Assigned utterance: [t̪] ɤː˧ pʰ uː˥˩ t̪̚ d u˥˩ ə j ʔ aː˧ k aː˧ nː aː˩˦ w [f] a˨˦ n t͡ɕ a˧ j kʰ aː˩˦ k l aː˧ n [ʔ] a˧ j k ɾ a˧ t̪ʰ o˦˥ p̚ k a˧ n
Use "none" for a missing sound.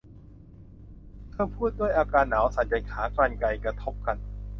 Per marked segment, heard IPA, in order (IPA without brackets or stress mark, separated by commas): t̪ʰ, s, k